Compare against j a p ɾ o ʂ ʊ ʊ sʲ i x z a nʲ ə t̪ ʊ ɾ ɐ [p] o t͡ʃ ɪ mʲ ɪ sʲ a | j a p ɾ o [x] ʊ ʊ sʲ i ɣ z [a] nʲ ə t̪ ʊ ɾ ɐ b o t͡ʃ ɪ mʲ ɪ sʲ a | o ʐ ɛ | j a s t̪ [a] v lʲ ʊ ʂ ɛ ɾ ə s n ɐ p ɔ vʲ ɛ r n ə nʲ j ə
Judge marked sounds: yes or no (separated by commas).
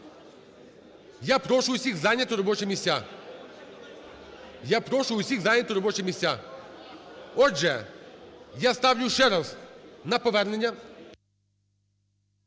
no, no, yes, yes